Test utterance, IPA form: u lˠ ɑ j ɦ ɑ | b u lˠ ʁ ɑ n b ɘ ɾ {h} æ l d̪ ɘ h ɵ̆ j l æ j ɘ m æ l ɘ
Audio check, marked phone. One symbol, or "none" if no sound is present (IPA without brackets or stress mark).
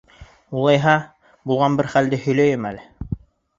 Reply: χ